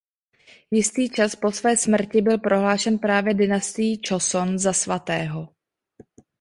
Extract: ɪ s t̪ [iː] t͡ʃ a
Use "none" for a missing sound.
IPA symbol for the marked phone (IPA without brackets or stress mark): iː